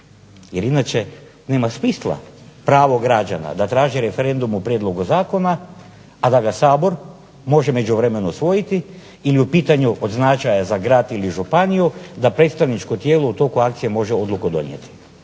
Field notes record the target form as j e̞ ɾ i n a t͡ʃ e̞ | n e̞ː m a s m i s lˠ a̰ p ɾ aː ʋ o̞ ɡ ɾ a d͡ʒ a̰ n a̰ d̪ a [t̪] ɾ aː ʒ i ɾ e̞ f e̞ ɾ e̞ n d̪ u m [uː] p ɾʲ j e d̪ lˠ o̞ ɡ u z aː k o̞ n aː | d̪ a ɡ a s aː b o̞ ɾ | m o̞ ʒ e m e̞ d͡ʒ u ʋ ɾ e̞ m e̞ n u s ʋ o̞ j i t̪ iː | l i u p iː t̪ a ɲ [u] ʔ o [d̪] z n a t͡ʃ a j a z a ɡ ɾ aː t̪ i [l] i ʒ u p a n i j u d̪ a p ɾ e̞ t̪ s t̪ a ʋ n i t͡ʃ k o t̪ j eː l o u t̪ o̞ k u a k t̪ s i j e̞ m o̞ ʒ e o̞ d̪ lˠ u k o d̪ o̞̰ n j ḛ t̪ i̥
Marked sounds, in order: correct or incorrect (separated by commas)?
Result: correct, incorrect, correct, correct, correct